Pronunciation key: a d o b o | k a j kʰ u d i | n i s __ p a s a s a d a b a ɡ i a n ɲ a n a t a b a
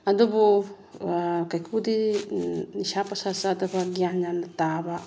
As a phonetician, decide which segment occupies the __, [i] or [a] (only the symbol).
a